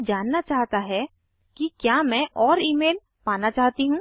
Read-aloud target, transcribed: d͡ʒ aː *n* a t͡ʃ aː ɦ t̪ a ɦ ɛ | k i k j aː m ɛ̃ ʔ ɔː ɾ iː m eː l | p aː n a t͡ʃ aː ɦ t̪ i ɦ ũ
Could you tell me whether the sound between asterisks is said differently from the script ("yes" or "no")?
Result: yes